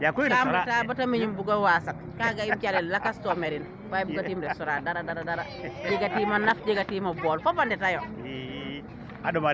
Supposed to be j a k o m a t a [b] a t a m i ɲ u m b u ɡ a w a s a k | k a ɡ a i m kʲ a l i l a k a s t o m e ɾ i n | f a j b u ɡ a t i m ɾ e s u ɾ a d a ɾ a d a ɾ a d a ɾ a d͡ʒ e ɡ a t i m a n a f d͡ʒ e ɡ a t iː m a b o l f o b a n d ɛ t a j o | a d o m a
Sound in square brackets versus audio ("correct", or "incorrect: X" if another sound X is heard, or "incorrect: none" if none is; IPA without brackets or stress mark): correct